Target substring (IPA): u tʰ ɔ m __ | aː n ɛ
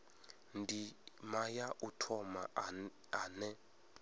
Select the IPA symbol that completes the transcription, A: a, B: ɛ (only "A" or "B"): A